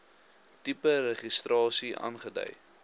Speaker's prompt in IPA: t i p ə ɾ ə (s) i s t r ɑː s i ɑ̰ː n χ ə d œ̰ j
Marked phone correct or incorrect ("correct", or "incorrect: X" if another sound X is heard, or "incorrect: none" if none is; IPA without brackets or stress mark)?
incorrect: χ